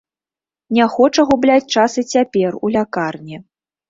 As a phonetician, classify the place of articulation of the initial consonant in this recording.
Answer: alveolar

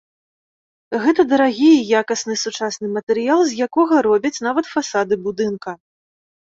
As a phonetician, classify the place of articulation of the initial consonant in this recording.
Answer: velar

